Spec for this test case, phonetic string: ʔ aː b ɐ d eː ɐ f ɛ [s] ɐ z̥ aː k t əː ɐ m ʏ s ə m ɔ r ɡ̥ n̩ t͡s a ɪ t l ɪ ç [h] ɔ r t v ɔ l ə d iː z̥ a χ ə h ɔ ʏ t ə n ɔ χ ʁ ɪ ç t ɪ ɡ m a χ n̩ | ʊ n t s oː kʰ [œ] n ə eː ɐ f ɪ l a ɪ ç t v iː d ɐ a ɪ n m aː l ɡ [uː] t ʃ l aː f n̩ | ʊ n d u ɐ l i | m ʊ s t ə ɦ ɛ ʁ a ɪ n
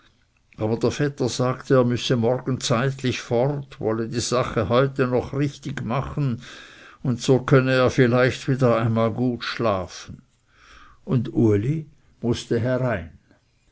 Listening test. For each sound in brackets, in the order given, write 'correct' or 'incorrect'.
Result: incorrect, incorrect, correct, correct

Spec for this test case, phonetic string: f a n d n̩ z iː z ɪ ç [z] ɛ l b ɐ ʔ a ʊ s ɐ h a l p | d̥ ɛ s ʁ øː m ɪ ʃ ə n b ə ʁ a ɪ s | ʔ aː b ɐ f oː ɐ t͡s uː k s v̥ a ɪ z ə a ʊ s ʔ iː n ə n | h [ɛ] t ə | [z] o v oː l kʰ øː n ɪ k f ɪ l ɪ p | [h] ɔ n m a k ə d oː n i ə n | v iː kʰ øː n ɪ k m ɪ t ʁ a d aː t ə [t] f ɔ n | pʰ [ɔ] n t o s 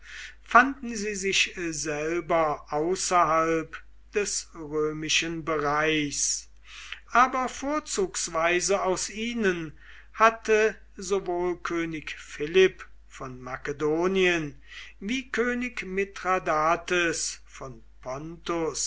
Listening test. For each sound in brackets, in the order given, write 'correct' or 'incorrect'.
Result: correct, incorrect, correct, incorrect, incorrect, correct

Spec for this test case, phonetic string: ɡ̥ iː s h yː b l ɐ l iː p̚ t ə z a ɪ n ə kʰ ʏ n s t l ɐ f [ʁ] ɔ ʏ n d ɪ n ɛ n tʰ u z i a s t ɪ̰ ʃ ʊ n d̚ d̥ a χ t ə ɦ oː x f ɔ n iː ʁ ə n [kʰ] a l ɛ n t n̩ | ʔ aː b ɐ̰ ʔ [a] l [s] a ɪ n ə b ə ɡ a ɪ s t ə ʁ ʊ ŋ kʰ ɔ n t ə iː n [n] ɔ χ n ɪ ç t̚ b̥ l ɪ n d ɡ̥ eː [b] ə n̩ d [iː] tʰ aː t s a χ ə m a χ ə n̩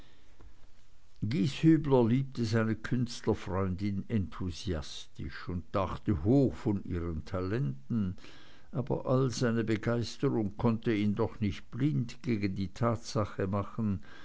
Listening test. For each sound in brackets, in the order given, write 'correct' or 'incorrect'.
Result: correct, incorrect, correct, incorrect, incorrect, incorrect, correct

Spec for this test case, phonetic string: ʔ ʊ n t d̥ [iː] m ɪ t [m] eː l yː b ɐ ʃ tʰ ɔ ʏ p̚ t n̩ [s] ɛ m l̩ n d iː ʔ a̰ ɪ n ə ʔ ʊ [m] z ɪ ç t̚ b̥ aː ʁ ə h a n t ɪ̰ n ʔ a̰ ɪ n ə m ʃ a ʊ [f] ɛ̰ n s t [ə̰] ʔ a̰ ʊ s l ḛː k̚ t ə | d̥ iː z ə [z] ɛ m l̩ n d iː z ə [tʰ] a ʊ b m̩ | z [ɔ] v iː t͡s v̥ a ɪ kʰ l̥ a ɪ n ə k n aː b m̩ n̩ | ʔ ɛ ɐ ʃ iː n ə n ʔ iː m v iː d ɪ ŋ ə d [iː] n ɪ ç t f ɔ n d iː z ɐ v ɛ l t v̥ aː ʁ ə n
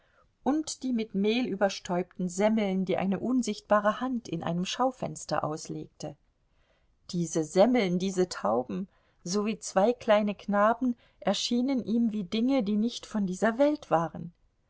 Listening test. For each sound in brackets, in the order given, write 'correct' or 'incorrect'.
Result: correct, correct, incorrect, incorrect, correct, incorrect, correct, correct, incorrect, correct

